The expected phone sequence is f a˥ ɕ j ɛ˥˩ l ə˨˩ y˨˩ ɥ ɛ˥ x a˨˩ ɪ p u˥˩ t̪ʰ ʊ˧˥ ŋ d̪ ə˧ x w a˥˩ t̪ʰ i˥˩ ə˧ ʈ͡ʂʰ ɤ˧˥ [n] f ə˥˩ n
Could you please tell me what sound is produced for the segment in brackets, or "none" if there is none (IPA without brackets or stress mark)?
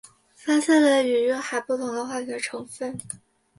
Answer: ŋ